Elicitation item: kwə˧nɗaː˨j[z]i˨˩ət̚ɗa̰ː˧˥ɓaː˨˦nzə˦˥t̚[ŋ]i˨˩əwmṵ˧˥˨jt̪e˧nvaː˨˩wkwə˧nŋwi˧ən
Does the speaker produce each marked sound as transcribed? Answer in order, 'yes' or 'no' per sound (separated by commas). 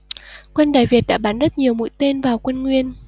no, no